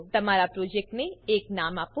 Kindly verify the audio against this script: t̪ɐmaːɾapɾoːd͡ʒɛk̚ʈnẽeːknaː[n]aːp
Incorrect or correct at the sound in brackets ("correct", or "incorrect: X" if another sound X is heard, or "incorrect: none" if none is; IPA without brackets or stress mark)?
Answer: incorrect: m